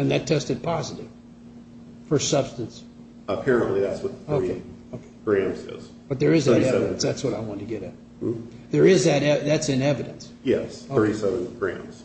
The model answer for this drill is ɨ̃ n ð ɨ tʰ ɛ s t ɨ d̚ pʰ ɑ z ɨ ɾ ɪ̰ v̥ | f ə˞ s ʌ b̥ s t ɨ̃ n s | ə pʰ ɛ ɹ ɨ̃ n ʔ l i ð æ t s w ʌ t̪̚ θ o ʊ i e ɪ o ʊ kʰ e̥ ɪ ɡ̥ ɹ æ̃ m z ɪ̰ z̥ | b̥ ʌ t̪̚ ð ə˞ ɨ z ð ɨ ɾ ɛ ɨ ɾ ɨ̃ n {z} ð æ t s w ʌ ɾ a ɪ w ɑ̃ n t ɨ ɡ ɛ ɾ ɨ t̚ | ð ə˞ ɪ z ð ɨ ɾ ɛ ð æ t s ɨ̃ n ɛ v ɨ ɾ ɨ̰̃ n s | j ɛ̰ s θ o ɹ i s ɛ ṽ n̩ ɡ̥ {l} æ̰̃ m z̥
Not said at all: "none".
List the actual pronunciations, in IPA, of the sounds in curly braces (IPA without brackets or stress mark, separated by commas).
s, ɹ